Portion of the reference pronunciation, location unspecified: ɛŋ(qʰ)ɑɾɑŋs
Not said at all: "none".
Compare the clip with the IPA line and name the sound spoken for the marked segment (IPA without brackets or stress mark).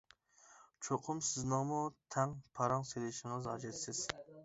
pʰ